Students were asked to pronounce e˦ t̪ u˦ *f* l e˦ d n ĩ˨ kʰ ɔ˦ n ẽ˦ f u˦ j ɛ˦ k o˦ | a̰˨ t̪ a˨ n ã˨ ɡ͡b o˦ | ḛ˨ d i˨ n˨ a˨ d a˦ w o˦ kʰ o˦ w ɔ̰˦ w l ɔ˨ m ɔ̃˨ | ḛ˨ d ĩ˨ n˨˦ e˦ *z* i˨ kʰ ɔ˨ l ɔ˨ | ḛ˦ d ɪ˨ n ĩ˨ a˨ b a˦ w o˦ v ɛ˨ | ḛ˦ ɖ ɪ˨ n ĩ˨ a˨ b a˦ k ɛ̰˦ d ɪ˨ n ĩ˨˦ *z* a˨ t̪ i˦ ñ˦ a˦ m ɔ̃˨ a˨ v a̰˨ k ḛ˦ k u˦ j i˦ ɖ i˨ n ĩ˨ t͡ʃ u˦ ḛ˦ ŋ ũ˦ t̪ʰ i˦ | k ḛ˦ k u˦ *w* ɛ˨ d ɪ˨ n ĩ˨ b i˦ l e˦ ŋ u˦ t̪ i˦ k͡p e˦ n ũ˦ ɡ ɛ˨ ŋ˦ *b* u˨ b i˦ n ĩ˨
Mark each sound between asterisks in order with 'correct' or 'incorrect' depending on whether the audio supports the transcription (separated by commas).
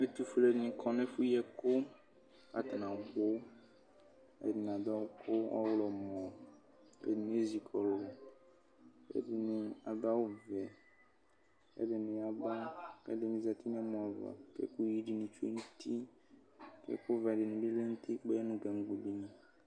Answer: correct, correct, correct, incorrect, incorrect